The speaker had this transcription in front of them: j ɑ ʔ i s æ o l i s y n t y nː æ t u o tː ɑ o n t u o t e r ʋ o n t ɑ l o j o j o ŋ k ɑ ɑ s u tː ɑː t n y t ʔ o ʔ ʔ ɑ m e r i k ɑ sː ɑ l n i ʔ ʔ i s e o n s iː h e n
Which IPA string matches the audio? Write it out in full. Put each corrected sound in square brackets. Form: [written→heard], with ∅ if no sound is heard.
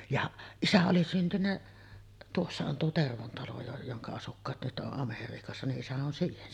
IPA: j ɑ ʔ i s æ o l i s y n t y nː æ t u o [tː→sː] ɑ o n t u o t e r ʋ o n t ɑ l o j o j o ŋ k ɑ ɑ s u [tː→kː] ɑː t n y t ʔ o ʔ ʔ ɑ m e r [i→iː] k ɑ sː ɑ [l→∅] n i ʔ ʔ i s [e→æ] o n s iː h e n